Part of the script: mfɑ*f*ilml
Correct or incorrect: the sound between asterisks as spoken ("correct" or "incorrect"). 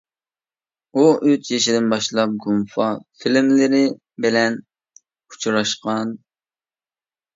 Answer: correct